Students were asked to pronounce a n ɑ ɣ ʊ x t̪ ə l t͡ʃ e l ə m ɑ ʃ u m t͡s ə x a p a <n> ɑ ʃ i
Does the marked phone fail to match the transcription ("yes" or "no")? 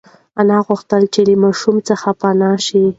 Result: no